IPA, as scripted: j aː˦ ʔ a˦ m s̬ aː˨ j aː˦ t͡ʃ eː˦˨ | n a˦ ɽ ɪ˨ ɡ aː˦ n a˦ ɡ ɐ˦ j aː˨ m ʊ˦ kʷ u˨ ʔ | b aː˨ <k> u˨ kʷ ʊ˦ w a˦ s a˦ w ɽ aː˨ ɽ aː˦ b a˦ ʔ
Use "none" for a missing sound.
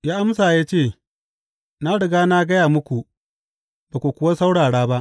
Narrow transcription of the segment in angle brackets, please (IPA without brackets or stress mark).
k